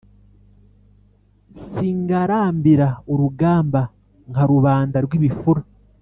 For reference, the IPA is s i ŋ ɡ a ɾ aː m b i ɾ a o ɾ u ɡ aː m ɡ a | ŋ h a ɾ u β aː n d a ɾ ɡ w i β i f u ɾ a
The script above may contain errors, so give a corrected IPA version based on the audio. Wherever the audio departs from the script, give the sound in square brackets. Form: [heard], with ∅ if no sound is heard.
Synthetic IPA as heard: s i ŋ ɡ a ɾ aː m b i ɾ a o ɾ u ɡ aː m [b] a | ŋ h a ɾ u β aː n d a ɾ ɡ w i β i f u ɾ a